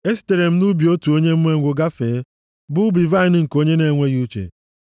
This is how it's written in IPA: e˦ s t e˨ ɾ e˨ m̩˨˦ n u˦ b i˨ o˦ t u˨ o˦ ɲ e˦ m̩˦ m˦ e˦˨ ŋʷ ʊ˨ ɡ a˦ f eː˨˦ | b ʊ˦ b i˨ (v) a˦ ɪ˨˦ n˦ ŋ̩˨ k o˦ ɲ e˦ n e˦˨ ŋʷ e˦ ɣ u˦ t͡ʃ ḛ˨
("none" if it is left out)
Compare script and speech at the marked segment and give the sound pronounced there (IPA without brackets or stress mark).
v